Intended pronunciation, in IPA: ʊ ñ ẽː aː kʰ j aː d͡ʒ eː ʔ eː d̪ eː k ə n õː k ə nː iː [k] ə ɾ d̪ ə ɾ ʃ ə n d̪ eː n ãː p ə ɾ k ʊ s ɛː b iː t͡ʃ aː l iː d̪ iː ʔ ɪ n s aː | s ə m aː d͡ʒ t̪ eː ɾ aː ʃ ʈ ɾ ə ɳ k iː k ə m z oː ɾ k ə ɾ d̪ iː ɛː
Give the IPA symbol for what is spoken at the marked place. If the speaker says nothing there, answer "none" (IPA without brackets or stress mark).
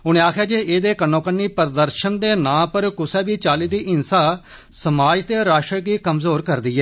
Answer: p